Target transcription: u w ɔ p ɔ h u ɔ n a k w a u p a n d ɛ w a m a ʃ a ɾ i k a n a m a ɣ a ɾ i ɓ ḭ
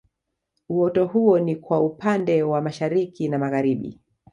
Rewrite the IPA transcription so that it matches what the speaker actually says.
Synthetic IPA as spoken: u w ɔ t ɔ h u ɔ n i k w a u p a n d ɛ w a m a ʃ a ɾ i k i n a m a ɣ a ɾ i ɓ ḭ

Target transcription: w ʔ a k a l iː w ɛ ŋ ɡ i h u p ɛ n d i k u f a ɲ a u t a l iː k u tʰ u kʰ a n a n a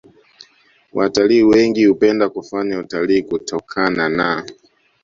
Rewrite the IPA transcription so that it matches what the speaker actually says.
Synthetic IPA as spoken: w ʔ a t a l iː w ɛ ŋ ɡ i h u p ɛ n d a k u f a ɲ a u t a l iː k u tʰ ɔ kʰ a n a n a

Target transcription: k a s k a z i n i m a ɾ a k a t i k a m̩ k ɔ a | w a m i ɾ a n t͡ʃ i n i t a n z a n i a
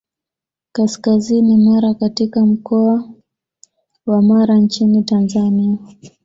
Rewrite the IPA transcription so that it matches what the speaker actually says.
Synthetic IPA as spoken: k a s k a z i n i m a ɾ a k a t i k a m̩ k ɔ a | w a m a ɾ a n t͡ʃ i n i t a n z a n i a

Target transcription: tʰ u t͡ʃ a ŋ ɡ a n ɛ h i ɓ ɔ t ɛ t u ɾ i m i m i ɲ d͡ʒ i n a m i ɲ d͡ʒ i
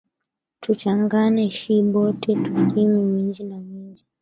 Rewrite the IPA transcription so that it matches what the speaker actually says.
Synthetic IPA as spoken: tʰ u t͡ʃ a ŋ ɡ a n ɛ ʃ i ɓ ɔ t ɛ t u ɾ i m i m i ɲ d͡ʒ i n a m i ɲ d͡ʒ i

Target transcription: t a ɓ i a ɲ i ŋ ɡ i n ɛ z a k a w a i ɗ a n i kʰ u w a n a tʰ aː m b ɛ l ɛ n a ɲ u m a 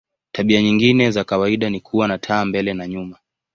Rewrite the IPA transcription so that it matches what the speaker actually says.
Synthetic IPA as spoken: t a ɓ i a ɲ i ŋ ɡ i n ɛ z a k a w a i ɗ a n i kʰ u w a n a tʰ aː m b ɛ l ɛ n a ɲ u m a

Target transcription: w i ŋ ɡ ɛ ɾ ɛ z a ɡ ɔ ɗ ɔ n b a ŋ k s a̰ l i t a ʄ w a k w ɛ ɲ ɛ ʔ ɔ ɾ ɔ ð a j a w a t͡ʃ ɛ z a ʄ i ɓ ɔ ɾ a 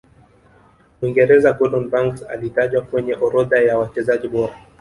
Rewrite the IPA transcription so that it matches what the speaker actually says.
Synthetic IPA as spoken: w i ŋ ɡ ɛ ɾ ɛ z a ɡ ɔ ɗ ɔ n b a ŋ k s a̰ l i t a ʄ w a k w ɛ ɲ ɛ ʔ ɔ ɾ ɔ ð a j a w a t͡ʃ ɛ z a ʄ i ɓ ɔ ɾ a

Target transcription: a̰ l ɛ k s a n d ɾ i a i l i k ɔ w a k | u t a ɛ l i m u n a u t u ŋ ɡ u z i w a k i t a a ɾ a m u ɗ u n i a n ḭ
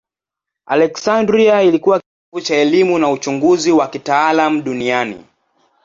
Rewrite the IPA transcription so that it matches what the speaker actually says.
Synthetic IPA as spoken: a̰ l ɛ k s a n d ɾ i a i l i k u w a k | u t͡ʃ a ɛ l i m u n a u t͡ʃ u ŋ ɡ u z i w a k i t a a l a m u ɗ u n i a n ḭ

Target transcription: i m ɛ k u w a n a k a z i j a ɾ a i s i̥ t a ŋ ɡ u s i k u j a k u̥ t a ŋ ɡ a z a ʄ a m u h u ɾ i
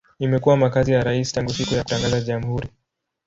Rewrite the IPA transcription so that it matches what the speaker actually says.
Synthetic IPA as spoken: i m ɛ k u w a m a k a z i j a ɾ a i s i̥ t a ŋ ɡ u s i k u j a k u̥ t a ŋ ɡ a z a ʄ a m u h u ɾ i

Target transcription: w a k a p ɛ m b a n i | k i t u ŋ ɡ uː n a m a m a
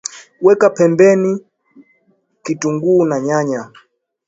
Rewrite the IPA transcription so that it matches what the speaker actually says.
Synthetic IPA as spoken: w ɛ k a p ɛ m b ɛ n i | k i t u ŋ ɡ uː n a ɲ a ɲ a

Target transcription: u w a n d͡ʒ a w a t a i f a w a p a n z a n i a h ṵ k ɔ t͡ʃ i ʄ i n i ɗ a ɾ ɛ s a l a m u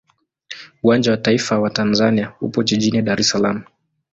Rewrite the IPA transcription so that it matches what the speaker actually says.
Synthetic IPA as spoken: u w a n d͡ʒ a w a t a i f a w a t a n z a n i a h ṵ p ɔ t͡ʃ i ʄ i n i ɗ a ɾ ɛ s a l a m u

